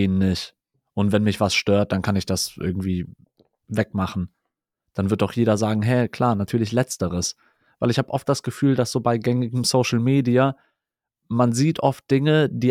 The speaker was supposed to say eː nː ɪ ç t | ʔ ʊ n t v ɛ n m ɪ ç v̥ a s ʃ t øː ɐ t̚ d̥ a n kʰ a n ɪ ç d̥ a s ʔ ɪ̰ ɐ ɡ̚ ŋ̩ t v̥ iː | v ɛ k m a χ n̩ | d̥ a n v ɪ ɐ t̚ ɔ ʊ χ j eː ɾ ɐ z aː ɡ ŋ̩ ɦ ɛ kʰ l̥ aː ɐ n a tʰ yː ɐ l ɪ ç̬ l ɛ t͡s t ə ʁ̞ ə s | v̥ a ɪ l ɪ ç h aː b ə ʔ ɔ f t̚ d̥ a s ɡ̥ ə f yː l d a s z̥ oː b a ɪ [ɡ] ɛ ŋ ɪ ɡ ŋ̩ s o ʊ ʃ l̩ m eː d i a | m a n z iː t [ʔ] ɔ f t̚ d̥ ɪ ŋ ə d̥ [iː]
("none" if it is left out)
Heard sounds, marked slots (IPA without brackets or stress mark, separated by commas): ɡ, ʔ, iː